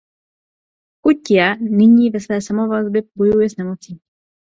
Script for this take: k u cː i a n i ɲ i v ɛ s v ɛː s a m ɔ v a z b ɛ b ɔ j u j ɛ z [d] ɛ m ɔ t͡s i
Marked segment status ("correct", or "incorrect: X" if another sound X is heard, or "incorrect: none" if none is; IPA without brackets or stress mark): incorrect: n